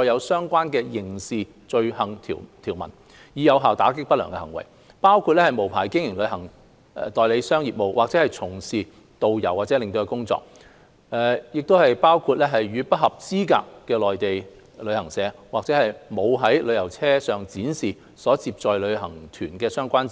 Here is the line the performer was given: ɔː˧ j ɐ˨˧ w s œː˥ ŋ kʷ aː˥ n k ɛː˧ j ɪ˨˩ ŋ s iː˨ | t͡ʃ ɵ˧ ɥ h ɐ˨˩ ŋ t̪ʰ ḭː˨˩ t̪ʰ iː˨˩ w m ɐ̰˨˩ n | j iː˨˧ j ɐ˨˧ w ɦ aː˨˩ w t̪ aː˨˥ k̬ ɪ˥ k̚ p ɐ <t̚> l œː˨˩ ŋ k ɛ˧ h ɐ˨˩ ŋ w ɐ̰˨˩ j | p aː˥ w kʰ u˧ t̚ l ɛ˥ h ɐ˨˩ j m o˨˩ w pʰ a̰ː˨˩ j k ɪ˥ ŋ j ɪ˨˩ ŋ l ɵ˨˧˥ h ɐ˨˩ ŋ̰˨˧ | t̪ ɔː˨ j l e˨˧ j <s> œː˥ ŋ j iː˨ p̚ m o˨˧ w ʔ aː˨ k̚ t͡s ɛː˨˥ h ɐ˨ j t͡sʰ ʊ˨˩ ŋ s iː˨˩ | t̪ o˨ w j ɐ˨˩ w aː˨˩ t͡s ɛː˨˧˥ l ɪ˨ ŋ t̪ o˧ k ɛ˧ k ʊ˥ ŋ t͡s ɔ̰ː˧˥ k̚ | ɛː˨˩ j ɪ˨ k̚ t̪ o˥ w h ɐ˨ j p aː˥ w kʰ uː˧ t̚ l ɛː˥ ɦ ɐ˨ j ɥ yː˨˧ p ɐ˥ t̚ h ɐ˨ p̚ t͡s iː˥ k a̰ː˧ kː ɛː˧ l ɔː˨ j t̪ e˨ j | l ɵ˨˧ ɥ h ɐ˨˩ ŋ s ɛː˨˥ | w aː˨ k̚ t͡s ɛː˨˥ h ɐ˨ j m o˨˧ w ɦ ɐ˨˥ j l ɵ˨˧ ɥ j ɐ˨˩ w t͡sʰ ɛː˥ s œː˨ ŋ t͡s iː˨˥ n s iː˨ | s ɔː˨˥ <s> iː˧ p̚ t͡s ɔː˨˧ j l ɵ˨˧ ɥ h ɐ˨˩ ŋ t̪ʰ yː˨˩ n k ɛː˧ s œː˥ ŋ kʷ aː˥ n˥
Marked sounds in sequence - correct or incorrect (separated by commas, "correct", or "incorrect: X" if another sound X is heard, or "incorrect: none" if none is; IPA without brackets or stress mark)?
correct, correct, incorrect: t͡s